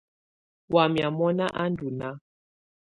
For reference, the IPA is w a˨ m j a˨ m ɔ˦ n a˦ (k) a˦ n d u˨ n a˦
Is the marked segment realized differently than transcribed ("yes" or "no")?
yes